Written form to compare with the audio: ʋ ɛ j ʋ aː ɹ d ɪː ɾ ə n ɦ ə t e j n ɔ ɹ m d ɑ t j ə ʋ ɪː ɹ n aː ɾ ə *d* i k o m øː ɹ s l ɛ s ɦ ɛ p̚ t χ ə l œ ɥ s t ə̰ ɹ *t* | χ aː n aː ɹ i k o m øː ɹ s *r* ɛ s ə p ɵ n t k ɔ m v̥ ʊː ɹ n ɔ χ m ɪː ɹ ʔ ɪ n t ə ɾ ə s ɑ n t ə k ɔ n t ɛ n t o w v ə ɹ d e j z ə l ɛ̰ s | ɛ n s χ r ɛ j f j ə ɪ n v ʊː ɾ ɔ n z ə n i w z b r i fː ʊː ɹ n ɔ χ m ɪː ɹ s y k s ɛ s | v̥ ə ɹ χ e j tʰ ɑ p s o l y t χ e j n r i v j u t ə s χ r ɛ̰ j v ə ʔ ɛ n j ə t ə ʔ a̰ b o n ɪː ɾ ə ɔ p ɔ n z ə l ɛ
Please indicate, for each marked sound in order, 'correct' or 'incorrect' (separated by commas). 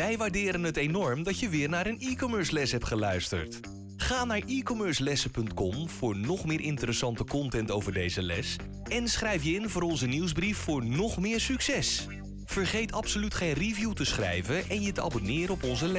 incorrect, correct, incorrect